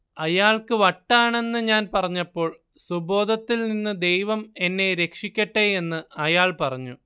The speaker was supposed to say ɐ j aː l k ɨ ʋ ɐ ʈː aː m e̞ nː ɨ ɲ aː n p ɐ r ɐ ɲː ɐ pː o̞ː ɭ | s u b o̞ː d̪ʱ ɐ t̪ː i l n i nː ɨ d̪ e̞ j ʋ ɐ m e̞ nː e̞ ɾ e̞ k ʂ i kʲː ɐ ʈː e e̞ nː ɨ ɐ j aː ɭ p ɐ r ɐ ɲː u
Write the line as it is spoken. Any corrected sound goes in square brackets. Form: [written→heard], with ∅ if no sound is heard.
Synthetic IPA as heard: ɐ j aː [l→ɭ] k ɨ ʋ ɐ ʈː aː [m→ɳ] e̞ nː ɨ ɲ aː n p ɐ r ɐ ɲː ɐ pː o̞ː ɭ | s u b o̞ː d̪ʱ ɐ t̪ː i l n i nː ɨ d̪ e̞ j ʋ ɐ m e̞ nː e̞ ɾ e̞ k ʂ i kʲː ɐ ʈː e e̞ nː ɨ ɐ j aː ɭ p ɐ r ɐ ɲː u